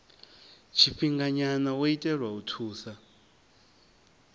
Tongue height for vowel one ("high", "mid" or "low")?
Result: high